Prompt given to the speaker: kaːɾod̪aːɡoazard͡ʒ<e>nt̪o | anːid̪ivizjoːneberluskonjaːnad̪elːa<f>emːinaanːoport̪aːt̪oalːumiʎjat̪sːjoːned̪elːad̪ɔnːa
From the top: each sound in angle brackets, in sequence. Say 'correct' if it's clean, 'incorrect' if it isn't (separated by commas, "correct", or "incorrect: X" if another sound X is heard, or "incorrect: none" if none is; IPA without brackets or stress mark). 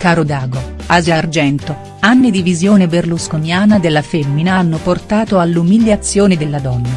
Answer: incorrect: ɛ, correct